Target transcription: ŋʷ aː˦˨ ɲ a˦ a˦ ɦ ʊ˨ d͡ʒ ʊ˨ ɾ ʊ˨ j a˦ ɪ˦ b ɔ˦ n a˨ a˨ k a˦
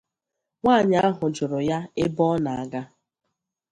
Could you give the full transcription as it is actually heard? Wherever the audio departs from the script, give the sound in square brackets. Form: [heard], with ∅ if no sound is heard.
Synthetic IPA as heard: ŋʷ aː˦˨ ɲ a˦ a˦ ɦ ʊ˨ d͡ʒ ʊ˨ ɾ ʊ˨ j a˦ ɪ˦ b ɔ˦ n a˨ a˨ [ɡ] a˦